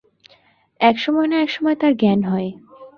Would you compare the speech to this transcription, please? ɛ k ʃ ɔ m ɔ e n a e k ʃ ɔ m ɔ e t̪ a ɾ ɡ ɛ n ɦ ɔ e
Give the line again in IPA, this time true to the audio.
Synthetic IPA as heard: ɛ k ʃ ɔ m ɔ e n a ɛ k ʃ ɔ m ɔ e t̪ a ɾ ɡ ɛ n ɦ ɔ e